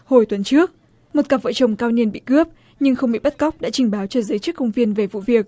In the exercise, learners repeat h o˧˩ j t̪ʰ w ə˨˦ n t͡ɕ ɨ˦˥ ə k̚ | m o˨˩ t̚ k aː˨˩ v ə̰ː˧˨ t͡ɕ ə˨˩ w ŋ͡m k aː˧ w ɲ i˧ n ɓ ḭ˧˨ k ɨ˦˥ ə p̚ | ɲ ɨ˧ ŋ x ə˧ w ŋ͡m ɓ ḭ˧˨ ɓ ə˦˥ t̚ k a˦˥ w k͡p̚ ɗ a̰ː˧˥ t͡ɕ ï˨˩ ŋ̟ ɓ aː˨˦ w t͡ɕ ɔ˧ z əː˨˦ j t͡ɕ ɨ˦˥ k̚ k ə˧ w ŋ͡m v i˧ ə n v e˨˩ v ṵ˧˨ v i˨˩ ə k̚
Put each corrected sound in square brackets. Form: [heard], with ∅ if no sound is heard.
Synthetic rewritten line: h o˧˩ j [t̪] w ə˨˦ n t͡ɕ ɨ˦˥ ə k̚ | m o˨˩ t̚ k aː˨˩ v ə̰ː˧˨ t͡ɕ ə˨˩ w ŋ͡m k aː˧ w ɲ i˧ n ɓ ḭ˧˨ k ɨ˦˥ ə p̚ | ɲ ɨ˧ ŋ x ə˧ w ŋ͡m ɓ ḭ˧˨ ɓ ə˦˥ t̚ k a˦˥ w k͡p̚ ɗ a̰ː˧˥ t͡ɕ ï˨˩ ŋ̟ ɓ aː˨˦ w t͡ɕ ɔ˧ z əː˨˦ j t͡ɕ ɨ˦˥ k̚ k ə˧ w ŋ͡m v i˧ ə n v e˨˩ v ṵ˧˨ v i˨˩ ə k̚